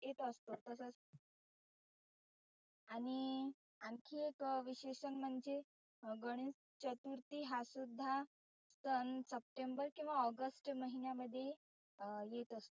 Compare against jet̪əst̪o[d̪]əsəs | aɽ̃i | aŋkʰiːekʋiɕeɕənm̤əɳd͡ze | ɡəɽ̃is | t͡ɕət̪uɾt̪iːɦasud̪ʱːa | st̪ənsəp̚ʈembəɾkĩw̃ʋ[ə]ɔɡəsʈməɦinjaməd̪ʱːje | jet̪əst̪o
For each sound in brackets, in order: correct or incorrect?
incorrect, incorrect

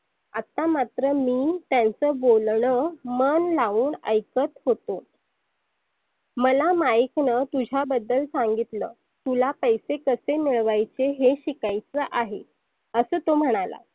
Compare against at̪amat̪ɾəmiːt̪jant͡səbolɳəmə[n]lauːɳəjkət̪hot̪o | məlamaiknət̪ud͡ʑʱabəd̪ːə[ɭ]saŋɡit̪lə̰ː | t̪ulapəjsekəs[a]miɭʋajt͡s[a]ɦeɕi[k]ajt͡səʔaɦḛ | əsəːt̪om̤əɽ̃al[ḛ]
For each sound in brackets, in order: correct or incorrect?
correct, incorrect, incorrect, incorrect, correct, incorrect

